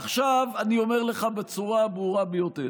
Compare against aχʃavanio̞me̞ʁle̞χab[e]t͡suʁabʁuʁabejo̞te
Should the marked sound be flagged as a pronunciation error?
no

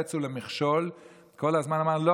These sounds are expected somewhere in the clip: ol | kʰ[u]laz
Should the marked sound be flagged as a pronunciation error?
yes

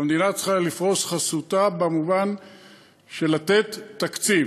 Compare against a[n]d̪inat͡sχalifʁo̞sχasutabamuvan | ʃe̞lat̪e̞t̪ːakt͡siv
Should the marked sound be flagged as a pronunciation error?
yes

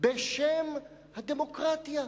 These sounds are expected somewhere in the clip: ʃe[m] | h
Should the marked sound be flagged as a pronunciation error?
no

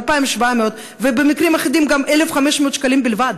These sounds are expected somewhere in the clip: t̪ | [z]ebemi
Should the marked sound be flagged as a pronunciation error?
yes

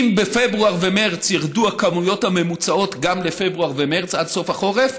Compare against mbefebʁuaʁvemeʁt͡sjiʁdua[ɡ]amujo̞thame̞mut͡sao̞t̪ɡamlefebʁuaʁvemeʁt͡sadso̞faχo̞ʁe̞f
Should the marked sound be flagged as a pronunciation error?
yes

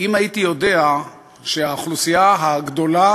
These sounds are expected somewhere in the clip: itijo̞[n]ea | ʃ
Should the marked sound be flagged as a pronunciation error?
yes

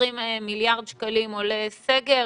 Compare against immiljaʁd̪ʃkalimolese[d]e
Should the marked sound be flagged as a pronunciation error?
yes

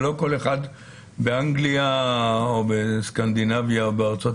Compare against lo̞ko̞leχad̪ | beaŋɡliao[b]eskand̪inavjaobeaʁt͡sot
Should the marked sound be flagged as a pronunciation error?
no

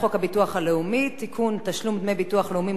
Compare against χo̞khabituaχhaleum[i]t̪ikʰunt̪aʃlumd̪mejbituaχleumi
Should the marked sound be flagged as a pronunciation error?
no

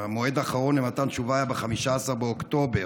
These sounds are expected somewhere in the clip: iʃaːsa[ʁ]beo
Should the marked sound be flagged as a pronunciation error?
no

